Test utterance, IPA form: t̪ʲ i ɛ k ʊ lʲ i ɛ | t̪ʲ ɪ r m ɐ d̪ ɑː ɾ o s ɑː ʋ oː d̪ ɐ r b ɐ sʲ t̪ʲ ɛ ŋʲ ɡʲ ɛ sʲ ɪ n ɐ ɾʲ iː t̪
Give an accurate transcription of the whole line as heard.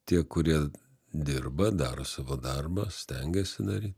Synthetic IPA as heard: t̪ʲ i ɛ k ʊ ɾʲ i ɛ | d̪ʲ ɪ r b ɐ d̪ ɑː ɾ o s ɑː ʋ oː d̪ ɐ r b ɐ sʲ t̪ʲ ɛ ŋʲ ɡʲ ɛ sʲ ɪ n ɐ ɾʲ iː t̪